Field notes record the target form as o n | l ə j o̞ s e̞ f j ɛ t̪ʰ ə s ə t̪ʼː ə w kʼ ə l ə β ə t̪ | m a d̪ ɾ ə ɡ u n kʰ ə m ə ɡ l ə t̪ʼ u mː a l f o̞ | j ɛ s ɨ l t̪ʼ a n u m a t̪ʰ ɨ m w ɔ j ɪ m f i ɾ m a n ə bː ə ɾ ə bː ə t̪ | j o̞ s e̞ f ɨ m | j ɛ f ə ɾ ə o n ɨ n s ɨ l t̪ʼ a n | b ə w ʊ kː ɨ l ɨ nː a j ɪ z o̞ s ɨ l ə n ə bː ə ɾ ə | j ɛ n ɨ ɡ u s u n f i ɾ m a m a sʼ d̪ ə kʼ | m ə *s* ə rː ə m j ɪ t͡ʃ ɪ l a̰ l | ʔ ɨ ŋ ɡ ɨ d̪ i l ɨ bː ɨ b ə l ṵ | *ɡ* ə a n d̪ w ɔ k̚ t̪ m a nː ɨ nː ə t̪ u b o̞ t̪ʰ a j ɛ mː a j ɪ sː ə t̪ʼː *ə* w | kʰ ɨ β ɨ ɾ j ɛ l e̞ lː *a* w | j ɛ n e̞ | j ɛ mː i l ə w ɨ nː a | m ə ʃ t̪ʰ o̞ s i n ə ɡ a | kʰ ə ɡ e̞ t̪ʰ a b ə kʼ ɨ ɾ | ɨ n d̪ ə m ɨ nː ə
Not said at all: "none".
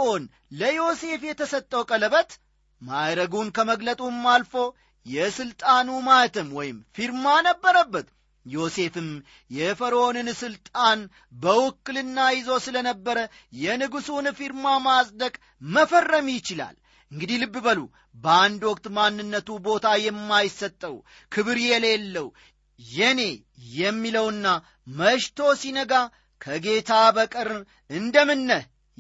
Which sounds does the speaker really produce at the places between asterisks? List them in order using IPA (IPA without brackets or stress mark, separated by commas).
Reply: f, b, ə, ə